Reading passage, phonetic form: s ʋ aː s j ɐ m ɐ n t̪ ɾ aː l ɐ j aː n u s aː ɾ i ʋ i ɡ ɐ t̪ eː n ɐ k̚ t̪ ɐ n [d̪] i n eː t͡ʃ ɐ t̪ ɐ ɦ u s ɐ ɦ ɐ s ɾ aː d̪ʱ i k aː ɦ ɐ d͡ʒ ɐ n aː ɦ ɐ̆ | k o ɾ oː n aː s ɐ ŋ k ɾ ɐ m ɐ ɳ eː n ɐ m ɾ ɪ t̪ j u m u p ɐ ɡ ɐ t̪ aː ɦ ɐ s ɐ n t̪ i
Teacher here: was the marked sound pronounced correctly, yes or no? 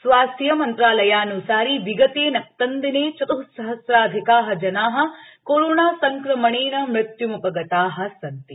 yes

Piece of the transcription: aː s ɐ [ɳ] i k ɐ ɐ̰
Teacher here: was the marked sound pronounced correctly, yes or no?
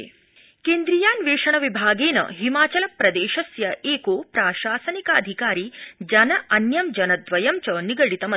no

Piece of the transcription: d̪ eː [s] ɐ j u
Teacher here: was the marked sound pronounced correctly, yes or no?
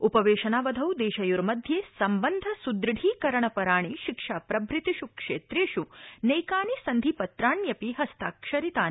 no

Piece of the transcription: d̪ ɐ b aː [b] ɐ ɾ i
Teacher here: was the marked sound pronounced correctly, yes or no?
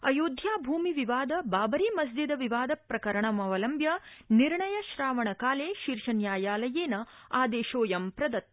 yes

